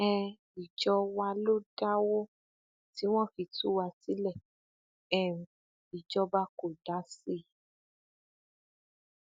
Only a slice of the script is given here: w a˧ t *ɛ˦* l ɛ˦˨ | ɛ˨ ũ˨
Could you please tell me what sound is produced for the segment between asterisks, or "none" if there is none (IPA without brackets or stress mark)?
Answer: i˦